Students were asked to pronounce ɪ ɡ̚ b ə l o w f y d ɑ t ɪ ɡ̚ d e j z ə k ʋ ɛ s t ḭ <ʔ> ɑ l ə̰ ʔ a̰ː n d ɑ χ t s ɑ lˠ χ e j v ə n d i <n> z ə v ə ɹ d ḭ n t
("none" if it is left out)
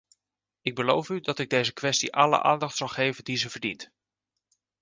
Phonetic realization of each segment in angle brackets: ʔ, none

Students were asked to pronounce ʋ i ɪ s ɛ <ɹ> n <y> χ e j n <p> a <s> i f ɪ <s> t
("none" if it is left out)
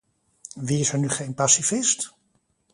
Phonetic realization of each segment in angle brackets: ɹ, y, p, s, s

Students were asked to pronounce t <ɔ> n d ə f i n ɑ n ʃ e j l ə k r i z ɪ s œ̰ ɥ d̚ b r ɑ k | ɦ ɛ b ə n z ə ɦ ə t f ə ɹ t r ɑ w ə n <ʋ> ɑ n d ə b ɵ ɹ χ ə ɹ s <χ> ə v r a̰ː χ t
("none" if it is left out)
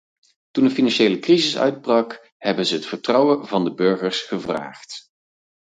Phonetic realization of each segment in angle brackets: u, v, χ

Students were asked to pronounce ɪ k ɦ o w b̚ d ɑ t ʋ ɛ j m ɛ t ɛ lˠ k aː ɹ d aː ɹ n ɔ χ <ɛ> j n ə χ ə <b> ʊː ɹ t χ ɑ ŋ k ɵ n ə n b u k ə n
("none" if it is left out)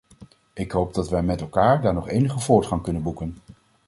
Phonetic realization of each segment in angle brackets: e, v

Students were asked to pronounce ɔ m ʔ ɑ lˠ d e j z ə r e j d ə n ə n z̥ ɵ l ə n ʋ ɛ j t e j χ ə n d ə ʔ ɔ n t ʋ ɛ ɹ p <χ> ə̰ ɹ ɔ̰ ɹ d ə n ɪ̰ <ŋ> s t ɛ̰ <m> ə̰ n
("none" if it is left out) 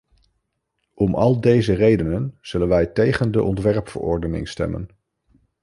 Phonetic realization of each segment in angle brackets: f, ŋ, m

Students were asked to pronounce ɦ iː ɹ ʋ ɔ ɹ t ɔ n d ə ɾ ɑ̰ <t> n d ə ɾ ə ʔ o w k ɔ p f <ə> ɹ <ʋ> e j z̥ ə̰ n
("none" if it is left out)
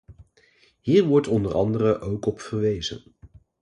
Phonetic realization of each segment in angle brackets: none, ə, ʋ

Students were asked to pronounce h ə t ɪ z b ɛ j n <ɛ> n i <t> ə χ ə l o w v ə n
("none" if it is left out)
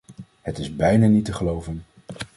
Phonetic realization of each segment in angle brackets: a, t

